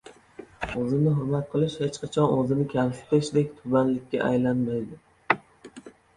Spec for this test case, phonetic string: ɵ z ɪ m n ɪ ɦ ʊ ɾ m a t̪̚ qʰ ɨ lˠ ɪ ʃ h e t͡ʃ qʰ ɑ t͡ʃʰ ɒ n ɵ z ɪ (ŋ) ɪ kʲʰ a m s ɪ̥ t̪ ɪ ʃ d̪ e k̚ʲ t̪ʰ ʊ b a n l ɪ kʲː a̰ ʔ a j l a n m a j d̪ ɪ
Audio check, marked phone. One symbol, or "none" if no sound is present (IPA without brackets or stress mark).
n